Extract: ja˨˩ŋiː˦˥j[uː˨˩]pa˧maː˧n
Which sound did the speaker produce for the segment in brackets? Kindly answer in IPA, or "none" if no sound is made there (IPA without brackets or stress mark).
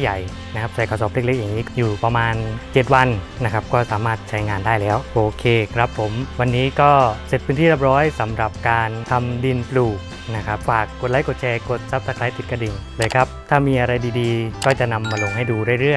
uː˨˩